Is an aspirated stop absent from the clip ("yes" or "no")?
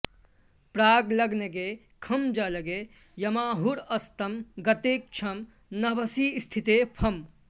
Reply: no